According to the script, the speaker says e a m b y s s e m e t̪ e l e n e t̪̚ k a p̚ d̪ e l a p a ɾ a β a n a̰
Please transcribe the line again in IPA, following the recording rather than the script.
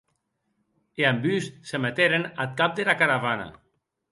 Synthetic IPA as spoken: e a m b y s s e m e t̪ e ɾ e n a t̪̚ k a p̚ d̪ e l a k a ɾ a β a n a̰